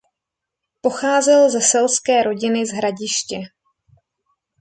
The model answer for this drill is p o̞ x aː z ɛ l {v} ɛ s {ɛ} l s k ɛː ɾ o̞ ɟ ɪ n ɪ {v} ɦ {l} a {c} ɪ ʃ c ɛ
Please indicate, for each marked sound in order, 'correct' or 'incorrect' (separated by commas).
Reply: incorrect, correct, incorrect, incorrect, incorrect